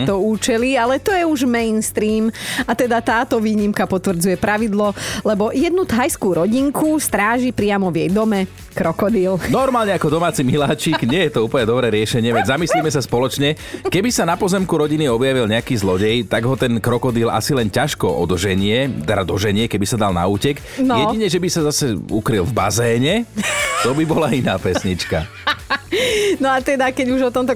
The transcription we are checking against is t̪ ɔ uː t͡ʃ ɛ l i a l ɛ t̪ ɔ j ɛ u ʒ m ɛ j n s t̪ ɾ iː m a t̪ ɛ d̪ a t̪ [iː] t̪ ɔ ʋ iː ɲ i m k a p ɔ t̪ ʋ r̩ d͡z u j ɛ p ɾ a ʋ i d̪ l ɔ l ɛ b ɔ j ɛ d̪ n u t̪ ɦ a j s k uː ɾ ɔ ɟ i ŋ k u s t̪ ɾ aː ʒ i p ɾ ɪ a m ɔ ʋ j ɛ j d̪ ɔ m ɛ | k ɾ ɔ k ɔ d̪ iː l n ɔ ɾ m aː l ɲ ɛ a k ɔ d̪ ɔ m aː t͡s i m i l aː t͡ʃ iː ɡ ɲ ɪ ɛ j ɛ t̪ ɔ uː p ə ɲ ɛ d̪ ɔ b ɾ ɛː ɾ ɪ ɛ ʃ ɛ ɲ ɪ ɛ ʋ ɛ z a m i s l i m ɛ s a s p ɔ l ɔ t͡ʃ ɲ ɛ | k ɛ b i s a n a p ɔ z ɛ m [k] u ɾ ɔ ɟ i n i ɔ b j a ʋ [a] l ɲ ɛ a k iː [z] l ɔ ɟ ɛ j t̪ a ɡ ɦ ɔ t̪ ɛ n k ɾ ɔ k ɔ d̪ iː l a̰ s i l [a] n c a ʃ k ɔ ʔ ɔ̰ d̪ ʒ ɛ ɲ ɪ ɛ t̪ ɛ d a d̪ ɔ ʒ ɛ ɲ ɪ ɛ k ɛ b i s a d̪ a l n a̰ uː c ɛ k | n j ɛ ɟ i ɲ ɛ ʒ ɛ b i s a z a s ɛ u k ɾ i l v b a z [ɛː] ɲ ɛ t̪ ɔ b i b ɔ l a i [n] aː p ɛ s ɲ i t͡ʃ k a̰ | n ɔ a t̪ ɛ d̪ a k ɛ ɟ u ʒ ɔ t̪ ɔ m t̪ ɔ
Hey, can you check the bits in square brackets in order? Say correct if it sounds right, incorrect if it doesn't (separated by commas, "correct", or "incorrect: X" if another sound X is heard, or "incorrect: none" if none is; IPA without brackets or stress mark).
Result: incorrect: aː, correct, incorrect: i, correct, incorrect: ɛ, correct, correct